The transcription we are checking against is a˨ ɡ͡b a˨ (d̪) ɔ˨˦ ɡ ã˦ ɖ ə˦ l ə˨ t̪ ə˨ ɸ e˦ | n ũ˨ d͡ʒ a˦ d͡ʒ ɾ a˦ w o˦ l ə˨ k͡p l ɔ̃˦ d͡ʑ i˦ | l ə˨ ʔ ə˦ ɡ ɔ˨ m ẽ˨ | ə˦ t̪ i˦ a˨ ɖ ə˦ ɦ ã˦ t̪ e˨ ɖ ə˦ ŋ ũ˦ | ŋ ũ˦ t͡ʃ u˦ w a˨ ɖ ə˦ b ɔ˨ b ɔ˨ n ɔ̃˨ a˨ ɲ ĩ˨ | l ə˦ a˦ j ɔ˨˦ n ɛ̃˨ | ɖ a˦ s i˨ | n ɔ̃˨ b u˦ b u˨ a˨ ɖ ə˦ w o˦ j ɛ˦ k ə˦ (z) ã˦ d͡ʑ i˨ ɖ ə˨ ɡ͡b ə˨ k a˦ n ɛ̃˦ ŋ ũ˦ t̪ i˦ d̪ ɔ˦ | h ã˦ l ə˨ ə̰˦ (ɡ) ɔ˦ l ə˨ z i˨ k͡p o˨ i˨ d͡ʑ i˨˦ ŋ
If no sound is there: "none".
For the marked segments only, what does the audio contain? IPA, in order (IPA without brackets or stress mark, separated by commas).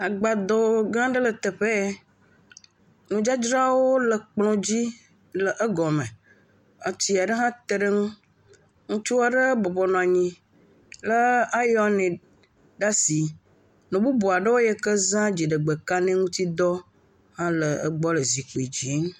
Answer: d̪, z, ɡ͡b